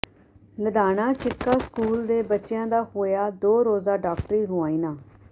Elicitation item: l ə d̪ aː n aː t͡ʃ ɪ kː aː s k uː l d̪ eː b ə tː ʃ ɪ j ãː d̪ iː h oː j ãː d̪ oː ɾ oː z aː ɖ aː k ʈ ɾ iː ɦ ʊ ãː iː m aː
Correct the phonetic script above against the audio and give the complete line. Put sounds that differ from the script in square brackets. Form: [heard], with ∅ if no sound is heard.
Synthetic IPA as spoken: l ə d̪ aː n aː t͡ʃ ɪ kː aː s k uː l d̪ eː b ə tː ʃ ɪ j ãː d̪ [aː] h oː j [aː] d̪ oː ɾ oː z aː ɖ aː k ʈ ɾ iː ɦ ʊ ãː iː [n] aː